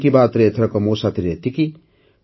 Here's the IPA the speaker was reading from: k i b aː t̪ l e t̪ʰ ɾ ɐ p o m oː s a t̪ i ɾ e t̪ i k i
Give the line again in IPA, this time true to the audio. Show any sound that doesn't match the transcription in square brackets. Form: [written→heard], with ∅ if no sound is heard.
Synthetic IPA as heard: k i b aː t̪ [l→ɾ] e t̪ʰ ɾ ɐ [p→k] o m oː s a t̪ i ɾ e t̪ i k i